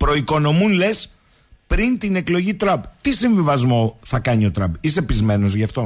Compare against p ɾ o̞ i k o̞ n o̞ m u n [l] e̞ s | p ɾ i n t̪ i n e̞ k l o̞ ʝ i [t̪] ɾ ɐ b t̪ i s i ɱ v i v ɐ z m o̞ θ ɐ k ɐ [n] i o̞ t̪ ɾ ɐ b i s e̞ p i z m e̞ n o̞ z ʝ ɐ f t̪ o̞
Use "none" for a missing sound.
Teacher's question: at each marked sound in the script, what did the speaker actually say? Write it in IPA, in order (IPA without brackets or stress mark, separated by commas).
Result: l, t̪, ɲ